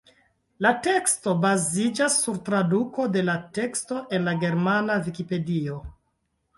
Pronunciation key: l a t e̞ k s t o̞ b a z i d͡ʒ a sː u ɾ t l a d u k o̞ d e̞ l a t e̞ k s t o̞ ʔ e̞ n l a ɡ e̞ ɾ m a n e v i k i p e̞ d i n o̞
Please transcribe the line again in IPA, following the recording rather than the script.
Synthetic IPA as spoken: l a t e̞ k s t o̞ b a z i d͡ʒ a sː u ɾ t ɾ a d u k o̞ d e̞ l a t e̞ k s t o̞ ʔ e̞ n l a ɡ e̞ ɾ m a n a v i k i p e̞ d i o̞